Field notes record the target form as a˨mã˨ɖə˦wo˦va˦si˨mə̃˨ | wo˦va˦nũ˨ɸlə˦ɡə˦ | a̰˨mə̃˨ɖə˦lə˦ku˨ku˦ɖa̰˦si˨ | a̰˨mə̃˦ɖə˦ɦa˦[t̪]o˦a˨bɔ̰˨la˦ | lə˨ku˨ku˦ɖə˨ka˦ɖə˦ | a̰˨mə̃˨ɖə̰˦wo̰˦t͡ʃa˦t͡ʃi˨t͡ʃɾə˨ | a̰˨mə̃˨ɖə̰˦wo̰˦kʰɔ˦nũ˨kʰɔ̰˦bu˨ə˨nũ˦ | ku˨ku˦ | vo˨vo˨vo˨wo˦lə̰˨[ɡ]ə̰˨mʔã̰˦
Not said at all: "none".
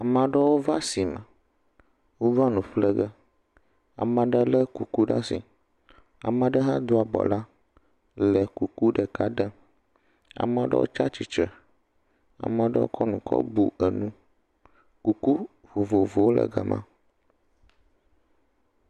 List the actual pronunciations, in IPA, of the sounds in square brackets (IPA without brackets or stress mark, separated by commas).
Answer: d̪, ɡ